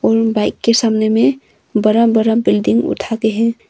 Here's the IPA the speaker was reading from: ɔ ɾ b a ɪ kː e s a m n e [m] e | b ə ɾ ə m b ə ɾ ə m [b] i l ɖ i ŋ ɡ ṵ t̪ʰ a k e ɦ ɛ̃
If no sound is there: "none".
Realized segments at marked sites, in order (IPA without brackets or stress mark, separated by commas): m, b